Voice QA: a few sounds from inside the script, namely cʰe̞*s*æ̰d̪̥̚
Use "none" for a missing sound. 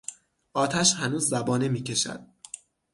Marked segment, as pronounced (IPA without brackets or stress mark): ʃ